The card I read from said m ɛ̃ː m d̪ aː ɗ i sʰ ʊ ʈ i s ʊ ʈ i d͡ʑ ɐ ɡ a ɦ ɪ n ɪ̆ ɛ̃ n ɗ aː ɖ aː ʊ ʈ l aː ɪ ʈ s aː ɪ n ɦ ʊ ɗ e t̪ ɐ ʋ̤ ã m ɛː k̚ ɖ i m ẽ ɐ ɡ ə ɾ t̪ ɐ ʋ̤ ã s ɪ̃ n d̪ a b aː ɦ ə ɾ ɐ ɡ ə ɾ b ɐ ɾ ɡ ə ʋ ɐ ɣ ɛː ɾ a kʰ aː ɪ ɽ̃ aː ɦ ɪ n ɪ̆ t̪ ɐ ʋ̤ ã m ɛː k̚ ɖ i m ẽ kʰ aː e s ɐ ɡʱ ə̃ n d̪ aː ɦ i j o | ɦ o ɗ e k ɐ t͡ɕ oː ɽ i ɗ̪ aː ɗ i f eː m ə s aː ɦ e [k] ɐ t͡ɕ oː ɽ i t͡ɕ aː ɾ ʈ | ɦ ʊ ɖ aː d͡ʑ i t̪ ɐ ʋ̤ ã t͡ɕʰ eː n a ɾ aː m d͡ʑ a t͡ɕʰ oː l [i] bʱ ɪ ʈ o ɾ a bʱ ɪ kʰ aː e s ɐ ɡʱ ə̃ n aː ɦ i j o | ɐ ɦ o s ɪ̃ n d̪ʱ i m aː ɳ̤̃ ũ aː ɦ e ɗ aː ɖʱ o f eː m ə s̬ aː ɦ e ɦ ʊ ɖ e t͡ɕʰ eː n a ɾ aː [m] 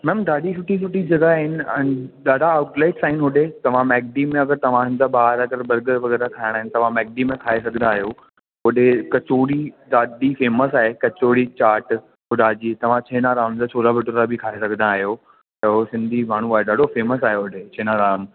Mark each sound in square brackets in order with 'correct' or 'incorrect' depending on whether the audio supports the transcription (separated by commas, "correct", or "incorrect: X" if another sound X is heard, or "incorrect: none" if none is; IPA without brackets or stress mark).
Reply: correct, incorrect: a, correct